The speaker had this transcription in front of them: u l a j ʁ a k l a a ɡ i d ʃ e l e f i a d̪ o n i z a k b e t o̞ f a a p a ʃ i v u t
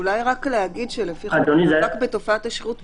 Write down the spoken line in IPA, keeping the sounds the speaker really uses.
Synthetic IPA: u l a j ʁ a k l e a ɡ i d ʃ e l e f i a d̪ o n i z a k b e t o̞ f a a t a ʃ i ʁ u t